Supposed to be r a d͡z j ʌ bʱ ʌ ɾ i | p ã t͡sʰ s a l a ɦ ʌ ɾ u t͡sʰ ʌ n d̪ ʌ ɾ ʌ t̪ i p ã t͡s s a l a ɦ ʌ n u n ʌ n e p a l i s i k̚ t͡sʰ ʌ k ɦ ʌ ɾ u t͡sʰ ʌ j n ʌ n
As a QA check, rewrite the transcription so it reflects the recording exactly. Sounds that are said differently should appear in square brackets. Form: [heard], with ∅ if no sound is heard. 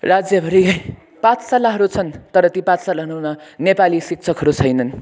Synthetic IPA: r a d͡z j ʌ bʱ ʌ ɾ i | p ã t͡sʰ s a l a ɦ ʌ ɾ u t͡sʰ ʌ n [t̪] ʌ ɾ ʌ t̪ i p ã t͡s s a l a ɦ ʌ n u n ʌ n e p a l i s i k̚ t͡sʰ ʌ k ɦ ʌ ɾ u t͡sʰ ʌ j n ʌ n